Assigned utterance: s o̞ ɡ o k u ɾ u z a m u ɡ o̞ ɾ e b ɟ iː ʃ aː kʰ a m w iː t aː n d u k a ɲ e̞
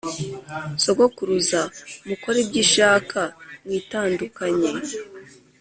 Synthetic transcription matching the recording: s o̞ ɡ o k u ɾ u z a m u k o̞ ɾ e b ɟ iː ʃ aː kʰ a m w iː t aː n d u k a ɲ e̞